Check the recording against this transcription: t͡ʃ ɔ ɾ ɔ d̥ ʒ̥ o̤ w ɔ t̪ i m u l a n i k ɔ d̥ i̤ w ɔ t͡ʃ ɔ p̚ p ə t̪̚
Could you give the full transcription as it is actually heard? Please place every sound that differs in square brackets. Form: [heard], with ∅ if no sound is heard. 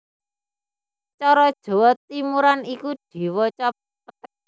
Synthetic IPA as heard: t͡ʃ ɔ ɾ ɔ d̥ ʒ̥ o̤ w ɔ t̪ i m u [ɾ] a n i k [u] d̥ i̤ w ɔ t͡ʃ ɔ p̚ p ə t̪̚